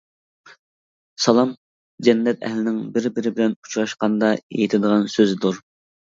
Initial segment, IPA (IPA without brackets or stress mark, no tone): s